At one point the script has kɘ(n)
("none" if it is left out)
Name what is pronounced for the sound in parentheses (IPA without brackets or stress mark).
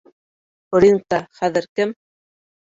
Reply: m